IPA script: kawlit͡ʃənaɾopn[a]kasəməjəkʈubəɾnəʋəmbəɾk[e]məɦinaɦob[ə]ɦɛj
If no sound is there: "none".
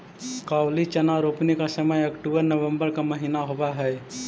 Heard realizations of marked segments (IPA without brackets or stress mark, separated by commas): i, a, a